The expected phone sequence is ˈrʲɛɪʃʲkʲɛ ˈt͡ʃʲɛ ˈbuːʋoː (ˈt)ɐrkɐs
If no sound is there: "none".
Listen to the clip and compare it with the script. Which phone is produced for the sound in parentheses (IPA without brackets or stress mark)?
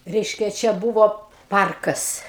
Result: p